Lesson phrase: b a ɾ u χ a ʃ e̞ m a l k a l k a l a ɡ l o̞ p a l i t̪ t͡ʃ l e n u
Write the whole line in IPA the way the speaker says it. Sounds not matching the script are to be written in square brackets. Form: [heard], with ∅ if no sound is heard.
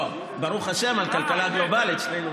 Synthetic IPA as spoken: b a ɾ u χ a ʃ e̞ m a l k a l k a l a ɡ l o̞ [b] a l i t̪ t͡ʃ l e n u